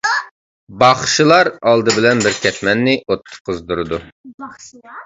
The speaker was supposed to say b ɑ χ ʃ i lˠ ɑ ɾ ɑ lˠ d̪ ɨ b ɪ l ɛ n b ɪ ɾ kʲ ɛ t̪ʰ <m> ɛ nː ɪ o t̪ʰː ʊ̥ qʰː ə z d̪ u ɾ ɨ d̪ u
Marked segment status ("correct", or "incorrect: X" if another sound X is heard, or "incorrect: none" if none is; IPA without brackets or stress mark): correct